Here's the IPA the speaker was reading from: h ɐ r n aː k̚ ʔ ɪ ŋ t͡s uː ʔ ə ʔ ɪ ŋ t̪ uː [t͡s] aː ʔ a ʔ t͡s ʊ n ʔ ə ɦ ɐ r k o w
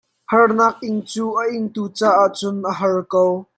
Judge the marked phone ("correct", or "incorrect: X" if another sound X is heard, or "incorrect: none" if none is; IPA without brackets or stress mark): correct